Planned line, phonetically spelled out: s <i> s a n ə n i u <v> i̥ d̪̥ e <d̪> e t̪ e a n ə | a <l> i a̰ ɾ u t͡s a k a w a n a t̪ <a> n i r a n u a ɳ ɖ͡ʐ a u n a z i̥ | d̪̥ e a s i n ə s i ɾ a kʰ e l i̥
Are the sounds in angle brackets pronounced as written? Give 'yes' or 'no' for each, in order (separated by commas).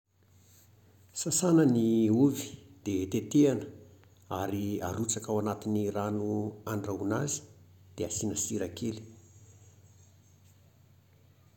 no, yes, no, no, no